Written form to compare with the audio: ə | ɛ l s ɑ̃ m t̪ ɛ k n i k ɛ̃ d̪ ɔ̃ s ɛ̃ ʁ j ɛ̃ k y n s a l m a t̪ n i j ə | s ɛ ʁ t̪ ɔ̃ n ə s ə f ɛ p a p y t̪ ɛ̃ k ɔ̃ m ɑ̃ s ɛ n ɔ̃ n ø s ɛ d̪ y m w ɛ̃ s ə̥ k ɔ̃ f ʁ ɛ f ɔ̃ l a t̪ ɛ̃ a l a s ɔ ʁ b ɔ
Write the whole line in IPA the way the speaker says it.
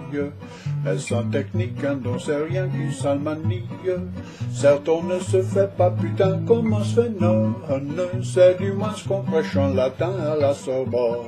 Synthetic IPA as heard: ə | ɛ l s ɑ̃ t̪ ɛ k n i k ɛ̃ d̪ ɔ̃ s ɛ ʁ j ɛ̃ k y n s a l m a n i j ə | s ɛ ʁ t̪ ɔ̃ n ə s ə f ɛ p a p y t̪ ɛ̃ k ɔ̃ m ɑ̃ s ɛ n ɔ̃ n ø s ɛ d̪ y m w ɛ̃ s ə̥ k ɔ̃ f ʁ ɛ ʃ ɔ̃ l a t̪ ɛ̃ a l a s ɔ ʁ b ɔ